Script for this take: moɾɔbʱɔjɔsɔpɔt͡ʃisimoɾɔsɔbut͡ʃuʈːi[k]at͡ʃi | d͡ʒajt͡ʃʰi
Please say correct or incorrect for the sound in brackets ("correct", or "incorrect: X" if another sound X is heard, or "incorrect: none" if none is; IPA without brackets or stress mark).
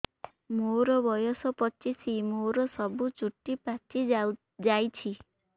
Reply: incorrect: p